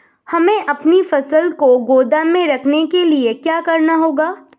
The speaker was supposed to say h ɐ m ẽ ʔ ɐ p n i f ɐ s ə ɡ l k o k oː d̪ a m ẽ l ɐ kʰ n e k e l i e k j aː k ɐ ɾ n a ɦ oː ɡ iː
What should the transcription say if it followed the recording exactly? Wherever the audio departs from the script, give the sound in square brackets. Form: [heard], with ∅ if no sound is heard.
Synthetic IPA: h ɐ m ẽ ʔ ɐ p n i f ɐ s ə [∅] l k o [ɡ] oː d̪ a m ẽ [ɾ] ɐ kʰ n e k e l i e k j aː k ɐ ɾ n a ɦ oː ɡ [aː]